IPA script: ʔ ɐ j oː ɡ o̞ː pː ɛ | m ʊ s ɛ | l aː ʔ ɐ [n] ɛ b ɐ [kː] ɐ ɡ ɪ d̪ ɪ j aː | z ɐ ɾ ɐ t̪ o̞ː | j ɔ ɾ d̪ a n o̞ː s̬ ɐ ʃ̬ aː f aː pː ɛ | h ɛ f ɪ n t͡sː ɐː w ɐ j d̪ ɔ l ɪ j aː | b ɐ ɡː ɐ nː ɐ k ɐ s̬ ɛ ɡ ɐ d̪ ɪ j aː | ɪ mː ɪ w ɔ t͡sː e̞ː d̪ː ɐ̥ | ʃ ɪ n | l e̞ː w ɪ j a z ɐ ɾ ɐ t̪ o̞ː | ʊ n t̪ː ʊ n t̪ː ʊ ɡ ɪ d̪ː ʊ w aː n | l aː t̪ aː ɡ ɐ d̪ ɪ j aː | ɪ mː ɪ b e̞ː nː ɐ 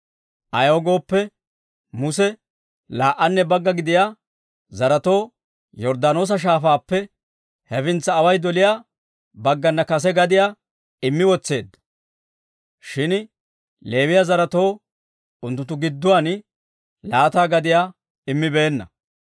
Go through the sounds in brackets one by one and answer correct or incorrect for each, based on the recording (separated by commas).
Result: incorrect, incorrect